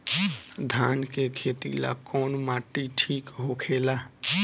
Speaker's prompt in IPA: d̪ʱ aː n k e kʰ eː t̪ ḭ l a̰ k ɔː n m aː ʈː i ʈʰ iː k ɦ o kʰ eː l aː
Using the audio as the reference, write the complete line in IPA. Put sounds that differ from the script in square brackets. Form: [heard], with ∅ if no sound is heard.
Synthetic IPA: d̪ʱ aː n k e kʰ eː t̪ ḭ l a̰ k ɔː n m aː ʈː i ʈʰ iː k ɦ o kʰ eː l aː